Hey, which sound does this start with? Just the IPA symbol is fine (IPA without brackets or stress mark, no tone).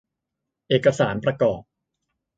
ʔ